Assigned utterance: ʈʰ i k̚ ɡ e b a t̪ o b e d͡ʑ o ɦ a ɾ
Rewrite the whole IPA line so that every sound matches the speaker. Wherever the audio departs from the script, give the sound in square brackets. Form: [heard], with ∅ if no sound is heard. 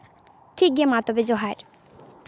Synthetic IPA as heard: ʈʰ i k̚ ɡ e [m] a t̪ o b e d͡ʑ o ɦ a ɾ